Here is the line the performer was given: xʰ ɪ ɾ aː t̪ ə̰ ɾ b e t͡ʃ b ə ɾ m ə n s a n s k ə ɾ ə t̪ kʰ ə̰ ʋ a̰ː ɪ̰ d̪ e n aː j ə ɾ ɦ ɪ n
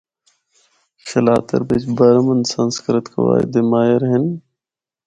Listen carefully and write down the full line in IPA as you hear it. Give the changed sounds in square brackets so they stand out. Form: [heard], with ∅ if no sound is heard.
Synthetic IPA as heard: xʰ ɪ [l] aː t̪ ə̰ ɾ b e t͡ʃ b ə ɾ m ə n s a n s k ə ɾ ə t̪ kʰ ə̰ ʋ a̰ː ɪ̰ d̪ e [m] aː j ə ɾ ɦ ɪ n